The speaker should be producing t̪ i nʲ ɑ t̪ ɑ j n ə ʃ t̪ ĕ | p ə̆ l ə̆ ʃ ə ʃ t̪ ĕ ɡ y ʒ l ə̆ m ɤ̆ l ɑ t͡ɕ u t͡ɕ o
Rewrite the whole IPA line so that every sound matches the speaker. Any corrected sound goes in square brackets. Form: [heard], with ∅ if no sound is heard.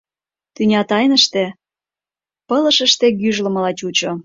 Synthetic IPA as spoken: t̪ [y] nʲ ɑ t̪ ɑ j n ə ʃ t̪ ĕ | p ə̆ l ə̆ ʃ ə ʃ t̪ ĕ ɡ y ʒ l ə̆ m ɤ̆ l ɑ t͡ɕ u t͡ɕ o